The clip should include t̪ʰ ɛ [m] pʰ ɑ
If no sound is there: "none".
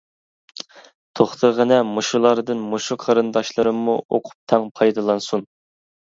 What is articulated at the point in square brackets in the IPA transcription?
ŋ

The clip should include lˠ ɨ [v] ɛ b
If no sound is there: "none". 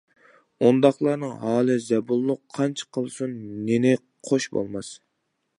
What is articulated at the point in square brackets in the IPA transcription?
z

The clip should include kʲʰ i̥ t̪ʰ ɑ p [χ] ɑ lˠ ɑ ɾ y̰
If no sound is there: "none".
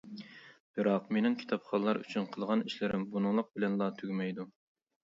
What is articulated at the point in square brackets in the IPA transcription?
χ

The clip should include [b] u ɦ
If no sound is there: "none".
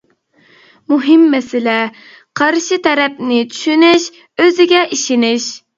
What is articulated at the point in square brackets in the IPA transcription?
m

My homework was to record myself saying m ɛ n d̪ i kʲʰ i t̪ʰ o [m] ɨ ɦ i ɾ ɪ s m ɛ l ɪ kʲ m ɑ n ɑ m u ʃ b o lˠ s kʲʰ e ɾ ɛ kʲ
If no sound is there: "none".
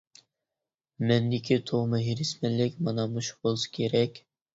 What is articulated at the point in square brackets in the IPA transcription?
m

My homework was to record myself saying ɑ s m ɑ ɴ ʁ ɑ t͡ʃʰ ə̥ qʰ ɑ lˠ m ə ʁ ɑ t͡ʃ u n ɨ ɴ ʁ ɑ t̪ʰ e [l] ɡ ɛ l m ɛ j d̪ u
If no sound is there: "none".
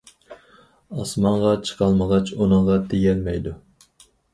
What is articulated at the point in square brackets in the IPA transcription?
none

